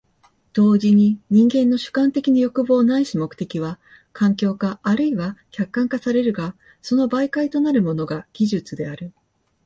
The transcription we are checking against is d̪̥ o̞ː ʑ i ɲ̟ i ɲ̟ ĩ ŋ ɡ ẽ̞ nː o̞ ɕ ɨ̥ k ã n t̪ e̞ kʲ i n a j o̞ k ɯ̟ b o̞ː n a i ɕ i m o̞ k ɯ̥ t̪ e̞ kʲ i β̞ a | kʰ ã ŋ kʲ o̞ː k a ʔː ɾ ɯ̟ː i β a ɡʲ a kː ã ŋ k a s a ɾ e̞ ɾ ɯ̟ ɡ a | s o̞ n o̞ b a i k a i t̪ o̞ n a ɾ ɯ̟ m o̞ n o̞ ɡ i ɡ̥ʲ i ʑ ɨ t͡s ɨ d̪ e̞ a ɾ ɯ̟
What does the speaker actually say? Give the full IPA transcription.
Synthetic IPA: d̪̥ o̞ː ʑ i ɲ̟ i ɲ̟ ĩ ŋ ɡ ẽ̞ nː o̞ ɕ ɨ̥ k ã n t̪ e̞ kʲ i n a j o̞ k ɯ̟ b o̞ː n a i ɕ i m o̞ k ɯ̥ t̪ e̞ kʲ i β̞ a | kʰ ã ŋ kʲ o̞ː k a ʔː ɾ ɯ̟ i β a kʲ a kː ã ŋ k a s a ɾ e̞ ɾ ɯ̟ ɡ a | s o̞ n o̞ b a i k a i t̪ o̞ n a ɾ ɯ̟ m o̞ n o̞ ɡ a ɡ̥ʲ i ʑ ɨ t͡s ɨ d̪ e̞ a ɾ ɯ̟